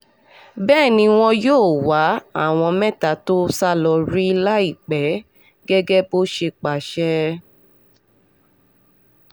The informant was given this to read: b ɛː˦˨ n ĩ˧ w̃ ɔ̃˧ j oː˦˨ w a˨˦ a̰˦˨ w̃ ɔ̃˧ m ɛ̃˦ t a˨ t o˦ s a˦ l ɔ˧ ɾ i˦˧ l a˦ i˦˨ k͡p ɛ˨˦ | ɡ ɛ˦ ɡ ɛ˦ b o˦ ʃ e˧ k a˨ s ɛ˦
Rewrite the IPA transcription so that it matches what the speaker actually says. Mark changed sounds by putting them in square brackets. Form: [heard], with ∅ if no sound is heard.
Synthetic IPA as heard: b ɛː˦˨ n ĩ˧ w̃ ɔ̃˧ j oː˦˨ w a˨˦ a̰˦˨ w̃ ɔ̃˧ m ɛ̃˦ t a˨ t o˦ s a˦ l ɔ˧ ɾ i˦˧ l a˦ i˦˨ k͡p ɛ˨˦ | ɡ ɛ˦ ɡ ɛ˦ b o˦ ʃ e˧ [k͡p] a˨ [ʃ] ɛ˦